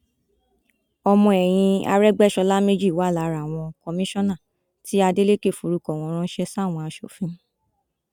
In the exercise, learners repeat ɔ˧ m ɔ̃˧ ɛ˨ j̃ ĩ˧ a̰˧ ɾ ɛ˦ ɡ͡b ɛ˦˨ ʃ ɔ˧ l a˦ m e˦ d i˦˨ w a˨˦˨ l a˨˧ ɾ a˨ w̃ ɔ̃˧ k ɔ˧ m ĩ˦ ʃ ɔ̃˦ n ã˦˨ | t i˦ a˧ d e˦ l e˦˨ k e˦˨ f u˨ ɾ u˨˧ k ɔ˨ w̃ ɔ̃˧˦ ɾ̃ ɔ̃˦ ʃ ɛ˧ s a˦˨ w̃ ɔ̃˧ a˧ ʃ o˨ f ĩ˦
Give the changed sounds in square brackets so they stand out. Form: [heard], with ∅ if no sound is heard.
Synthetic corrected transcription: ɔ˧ m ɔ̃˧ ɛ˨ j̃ ĩ˧ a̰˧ ɾ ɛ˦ ɡ͡b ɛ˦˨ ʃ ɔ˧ l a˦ m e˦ [d͡ʒ] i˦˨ w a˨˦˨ l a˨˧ ɾ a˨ w̃ ɔ̃˧ k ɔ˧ m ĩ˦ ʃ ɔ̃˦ n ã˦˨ | t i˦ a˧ d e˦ l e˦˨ k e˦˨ f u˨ ɾ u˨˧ k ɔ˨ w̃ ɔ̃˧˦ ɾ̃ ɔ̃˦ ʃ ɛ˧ s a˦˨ w̃ ɔ̃˧ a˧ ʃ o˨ f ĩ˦